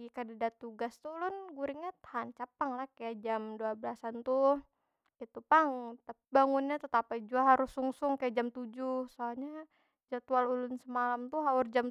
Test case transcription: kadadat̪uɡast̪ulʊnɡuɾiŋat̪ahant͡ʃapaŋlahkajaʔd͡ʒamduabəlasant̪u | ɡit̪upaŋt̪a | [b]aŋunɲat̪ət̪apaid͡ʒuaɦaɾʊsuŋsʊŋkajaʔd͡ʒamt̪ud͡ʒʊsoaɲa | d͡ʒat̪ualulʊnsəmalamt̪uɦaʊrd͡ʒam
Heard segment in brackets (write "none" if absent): b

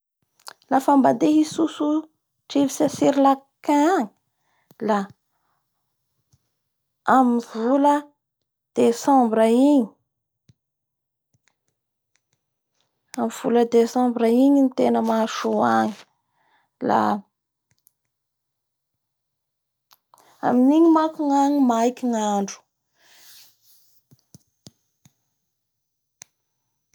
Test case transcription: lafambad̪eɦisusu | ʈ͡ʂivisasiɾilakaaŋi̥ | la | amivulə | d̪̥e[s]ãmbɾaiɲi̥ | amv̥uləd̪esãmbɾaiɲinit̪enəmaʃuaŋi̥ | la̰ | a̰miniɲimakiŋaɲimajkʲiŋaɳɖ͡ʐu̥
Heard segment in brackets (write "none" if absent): s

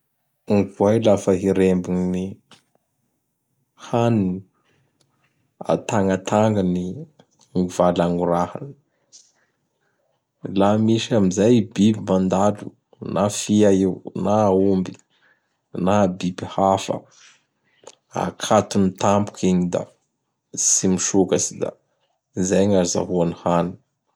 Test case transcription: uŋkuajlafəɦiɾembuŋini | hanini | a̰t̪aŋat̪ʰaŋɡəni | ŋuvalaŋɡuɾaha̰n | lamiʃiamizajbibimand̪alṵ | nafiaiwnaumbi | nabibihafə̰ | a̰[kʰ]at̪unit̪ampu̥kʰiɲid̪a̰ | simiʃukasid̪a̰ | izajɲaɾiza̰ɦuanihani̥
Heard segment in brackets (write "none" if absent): kʰ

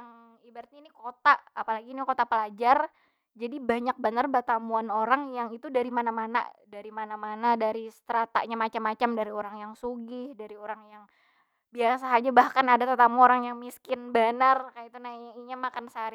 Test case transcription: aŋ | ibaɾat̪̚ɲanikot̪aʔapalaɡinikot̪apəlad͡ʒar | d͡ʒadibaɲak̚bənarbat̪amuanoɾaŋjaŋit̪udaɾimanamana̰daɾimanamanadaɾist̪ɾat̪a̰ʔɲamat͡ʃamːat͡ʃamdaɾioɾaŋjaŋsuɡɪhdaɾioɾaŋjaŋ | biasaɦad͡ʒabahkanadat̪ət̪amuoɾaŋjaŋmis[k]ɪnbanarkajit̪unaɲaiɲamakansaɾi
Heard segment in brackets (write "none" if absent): k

